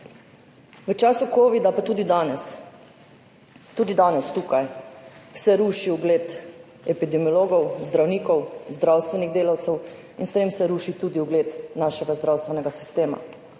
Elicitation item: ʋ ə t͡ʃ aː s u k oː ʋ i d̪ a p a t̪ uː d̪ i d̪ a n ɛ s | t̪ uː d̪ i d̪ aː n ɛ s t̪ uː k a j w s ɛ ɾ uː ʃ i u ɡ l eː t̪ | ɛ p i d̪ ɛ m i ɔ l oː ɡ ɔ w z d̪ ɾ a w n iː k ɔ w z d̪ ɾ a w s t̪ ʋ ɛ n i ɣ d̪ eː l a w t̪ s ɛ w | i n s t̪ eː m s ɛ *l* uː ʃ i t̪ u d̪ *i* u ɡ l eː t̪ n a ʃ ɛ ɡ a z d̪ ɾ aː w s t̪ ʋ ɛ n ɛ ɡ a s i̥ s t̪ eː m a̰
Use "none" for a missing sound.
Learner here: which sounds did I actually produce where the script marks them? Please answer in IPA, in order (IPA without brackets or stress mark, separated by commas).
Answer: ɾ, i